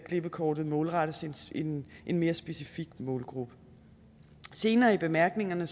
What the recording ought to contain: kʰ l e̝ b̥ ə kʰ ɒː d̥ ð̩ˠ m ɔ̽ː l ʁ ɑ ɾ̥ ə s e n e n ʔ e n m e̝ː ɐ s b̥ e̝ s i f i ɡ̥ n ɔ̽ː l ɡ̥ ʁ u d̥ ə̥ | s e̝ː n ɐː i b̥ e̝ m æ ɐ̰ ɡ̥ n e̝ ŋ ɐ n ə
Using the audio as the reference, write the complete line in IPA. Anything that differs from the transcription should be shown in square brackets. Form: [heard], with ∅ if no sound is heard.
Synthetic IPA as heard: kʰ l e̝ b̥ ə kʰ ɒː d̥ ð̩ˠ m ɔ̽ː l ʁ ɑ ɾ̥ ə s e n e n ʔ e n m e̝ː ɐ s b̥ e̝ s i f i ɡ̥ [m] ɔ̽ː l ɡ̥ ʁ u [b̥] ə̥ | s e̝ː n ɐː i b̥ e̝ m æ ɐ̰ ɡ̥ n e̝ ŋ ɐ n ə